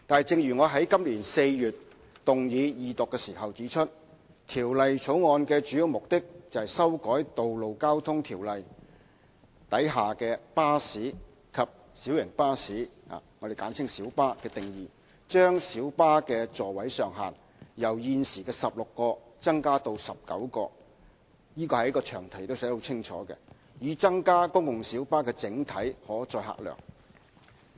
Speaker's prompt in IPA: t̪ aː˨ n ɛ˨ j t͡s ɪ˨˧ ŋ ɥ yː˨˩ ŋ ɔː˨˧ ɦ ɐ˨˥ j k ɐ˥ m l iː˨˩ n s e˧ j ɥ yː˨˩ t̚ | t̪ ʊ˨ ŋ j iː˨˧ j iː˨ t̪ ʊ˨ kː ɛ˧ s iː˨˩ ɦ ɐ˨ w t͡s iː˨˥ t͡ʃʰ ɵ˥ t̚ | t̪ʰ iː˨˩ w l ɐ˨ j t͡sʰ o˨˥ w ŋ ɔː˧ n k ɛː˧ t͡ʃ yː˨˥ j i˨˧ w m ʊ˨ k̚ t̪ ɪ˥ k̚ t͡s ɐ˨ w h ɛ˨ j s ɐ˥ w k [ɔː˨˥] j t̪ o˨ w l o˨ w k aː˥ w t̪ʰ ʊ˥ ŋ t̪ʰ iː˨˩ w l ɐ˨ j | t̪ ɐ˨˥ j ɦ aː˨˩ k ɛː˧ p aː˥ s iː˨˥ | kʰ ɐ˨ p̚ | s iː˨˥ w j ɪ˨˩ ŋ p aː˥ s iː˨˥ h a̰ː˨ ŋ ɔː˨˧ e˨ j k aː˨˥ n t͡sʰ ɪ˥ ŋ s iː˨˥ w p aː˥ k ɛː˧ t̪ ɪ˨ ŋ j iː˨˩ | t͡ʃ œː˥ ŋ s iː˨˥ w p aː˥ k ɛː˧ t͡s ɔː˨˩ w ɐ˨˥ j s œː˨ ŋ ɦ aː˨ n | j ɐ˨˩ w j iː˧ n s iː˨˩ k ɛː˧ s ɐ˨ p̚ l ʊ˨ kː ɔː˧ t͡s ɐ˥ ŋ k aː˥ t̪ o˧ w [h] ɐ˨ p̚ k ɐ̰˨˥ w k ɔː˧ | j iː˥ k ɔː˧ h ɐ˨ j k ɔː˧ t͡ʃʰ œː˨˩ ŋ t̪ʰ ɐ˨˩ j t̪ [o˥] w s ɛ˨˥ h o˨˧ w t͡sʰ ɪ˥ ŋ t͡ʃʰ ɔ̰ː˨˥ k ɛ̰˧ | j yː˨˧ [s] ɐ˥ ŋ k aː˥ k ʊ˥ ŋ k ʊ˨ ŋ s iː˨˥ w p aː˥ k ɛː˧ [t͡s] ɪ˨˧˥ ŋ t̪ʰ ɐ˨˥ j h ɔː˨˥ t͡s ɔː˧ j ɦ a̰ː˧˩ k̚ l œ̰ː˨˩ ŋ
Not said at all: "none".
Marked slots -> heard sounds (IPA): ɔː˨˥, s, o˥, t͡s, t͡s

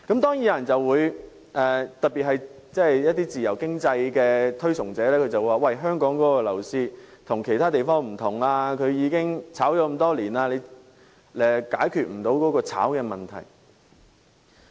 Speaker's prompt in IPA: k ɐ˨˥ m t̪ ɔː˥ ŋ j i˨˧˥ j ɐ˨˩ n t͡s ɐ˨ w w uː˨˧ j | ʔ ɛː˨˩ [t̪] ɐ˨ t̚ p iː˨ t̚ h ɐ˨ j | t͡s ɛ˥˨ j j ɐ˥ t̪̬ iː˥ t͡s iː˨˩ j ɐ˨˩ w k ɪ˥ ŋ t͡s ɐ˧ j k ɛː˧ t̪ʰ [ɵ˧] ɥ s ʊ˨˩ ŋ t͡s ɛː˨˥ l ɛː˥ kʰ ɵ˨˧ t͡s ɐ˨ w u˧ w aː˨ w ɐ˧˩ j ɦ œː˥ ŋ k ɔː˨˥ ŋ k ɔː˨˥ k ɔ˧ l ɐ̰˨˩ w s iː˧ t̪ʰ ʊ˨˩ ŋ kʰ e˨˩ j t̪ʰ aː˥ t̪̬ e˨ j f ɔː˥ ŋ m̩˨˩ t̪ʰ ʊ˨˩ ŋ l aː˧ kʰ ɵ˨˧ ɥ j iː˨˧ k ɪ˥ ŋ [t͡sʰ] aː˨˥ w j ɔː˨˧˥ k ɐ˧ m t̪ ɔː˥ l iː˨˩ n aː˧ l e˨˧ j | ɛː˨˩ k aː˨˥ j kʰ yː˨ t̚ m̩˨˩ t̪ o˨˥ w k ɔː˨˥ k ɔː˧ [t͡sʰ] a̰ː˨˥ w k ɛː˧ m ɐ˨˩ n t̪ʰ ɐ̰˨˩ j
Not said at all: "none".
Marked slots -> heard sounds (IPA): t̪, ɵ˥, t͡sʰ, t͡sʰ

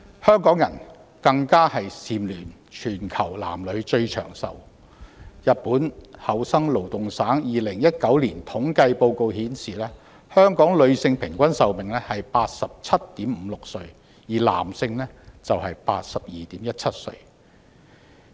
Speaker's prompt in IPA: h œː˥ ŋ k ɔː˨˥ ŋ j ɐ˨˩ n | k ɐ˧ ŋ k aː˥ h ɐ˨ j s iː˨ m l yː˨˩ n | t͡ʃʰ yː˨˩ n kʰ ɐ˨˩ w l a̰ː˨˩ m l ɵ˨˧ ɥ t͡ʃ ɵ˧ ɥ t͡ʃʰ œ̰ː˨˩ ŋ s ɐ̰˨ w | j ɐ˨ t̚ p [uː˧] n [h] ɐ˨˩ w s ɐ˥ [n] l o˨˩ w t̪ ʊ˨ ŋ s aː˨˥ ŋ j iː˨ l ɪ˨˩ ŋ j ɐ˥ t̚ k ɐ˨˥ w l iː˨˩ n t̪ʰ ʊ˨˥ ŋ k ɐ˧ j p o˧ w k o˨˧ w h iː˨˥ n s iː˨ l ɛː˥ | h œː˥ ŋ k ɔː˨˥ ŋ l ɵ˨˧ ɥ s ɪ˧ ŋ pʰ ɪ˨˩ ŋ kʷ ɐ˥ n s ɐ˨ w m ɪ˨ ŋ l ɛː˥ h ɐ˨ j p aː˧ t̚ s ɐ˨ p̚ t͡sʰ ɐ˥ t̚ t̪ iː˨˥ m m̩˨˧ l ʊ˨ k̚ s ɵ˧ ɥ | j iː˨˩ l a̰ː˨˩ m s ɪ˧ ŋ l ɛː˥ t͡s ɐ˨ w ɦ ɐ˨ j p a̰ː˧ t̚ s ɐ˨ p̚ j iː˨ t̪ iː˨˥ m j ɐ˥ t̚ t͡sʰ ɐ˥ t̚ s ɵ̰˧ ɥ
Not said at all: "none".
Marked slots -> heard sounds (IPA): uː˨˥, h, ŋ

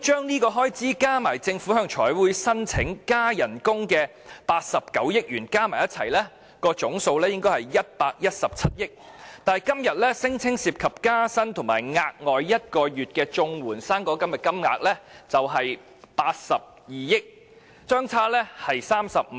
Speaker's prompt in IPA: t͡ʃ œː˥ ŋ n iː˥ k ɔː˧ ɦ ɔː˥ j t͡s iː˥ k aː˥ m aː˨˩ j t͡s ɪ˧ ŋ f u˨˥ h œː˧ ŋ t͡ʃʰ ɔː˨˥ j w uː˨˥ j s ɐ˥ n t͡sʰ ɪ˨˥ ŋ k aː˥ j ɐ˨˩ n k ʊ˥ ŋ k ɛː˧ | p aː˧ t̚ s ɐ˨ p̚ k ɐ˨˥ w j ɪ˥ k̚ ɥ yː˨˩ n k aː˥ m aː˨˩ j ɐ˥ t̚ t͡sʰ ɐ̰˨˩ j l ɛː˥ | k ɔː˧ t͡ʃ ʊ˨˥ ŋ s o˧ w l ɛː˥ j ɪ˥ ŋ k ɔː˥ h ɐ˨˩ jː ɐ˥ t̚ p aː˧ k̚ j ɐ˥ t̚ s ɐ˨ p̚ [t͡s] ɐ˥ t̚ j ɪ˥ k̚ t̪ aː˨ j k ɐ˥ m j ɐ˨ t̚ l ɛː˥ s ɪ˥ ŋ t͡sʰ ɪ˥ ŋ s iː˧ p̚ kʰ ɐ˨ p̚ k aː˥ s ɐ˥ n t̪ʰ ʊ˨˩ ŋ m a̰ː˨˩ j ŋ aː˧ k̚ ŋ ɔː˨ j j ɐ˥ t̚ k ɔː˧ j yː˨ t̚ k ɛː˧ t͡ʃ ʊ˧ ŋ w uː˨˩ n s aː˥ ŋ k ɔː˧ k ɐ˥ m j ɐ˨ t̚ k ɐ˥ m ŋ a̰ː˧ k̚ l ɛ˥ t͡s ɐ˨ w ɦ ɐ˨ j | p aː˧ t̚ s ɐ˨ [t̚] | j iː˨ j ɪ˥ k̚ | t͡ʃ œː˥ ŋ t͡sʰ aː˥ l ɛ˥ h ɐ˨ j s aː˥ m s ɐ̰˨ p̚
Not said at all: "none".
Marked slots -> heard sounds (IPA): t͡sʰ, p̚

